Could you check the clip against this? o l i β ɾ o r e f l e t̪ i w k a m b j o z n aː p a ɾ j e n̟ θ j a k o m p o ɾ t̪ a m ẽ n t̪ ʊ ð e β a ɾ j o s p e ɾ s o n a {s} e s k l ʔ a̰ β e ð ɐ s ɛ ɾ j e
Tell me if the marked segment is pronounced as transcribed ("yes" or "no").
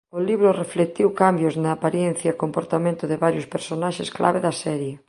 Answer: no